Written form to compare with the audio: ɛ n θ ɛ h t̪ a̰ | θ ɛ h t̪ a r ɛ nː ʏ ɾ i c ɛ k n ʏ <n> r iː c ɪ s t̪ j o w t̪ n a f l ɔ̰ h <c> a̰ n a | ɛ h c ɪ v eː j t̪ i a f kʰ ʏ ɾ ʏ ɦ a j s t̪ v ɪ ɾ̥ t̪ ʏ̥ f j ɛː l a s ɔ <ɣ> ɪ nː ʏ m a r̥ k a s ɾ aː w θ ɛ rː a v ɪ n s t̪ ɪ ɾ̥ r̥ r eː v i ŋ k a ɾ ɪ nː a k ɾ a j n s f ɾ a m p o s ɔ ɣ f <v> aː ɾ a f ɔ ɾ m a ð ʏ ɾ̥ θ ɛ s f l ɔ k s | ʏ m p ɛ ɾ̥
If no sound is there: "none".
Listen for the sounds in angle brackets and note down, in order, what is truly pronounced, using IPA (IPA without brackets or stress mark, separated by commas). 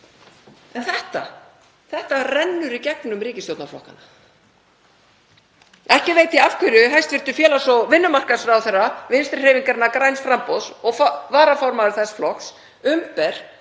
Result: m, k, v, v